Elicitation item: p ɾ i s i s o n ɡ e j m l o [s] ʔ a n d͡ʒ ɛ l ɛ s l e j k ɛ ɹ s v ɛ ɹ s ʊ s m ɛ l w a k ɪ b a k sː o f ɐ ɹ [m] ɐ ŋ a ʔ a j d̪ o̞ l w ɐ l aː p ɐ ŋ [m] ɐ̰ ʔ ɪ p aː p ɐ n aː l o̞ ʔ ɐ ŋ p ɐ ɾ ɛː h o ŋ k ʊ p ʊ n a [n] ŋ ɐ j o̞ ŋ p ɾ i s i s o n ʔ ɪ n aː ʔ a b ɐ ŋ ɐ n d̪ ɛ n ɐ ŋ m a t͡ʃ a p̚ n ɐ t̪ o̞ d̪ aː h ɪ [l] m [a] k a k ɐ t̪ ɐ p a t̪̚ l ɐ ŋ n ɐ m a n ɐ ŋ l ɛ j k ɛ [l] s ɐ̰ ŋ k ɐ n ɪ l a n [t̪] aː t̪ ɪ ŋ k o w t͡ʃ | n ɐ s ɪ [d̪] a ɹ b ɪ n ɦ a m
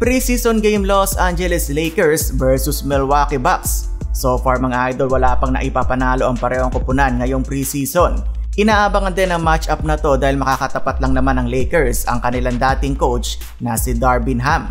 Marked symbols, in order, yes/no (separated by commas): yes, yes, no, yes, yes, no, no, no, yes